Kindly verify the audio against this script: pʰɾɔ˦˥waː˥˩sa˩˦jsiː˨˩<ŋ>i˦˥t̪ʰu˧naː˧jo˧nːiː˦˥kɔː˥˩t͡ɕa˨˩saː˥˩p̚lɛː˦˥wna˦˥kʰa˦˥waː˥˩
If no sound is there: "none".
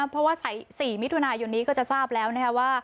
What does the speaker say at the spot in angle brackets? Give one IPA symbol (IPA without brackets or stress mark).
m